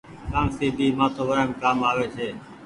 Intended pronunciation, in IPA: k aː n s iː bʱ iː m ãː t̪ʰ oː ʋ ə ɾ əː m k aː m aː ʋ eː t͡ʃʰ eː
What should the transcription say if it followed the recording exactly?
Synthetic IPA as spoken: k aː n s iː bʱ iː m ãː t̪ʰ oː ʋ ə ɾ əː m k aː m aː ʋ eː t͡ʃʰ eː